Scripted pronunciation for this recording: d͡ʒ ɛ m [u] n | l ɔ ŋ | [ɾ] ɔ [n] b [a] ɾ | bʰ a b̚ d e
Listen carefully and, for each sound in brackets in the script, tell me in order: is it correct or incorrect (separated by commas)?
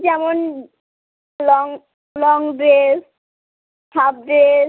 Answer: incorrect, incorrect, incorrect, incorrect